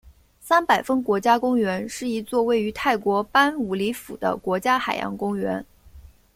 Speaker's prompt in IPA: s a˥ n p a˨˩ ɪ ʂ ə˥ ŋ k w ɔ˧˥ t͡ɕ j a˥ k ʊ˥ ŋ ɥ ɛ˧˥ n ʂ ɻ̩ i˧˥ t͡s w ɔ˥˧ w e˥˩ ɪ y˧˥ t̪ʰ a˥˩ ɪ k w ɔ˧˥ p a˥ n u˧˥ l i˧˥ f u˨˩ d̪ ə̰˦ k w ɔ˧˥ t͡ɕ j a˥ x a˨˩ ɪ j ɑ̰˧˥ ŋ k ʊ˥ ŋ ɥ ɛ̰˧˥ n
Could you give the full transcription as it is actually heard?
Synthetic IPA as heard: s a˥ n p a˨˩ ɪ f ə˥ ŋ k w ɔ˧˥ t͡ɕ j a˥ k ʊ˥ ŋ ɥ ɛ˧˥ n ʂ ɻ̩ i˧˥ t͡s w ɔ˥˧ w e˥˩ ɪ y˧˥ t̪ʰ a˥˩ ɪ k w ɔ˧˥ p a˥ n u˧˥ l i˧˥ f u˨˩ d̪ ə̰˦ k w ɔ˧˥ t͡ɕ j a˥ x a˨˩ ɪ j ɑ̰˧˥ ŋ k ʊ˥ ŋ ɥ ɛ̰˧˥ n